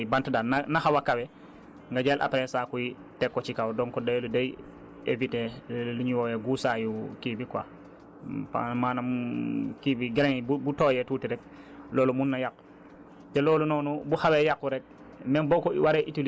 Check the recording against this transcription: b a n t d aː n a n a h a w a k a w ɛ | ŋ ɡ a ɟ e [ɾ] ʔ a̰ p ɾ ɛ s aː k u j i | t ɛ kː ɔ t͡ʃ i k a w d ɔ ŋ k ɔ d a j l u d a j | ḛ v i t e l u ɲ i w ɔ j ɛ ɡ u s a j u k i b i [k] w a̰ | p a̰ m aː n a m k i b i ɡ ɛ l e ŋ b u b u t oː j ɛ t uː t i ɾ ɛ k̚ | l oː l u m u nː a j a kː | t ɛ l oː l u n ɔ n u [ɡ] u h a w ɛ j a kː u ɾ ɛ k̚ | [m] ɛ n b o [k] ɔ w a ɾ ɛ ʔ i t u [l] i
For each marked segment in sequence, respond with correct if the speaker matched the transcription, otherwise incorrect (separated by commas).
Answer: incorrect, correct, incorrect, correct, correct, correct